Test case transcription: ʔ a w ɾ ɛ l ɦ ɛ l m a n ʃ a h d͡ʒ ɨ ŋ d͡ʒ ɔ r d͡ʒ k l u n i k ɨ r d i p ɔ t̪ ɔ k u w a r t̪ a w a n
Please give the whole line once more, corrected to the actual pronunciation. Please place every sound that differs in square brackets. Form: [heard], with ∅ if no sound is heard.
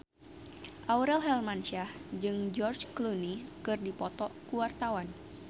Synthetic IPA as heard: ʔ a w ɾ ɛ l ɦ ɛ l m a n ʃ a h d͡ʒ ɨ ŋ d͡ʒ ɔ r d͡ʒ k l u n i k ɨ r d i p ɔ t̪ ɔ k u w a r t̪ a w a n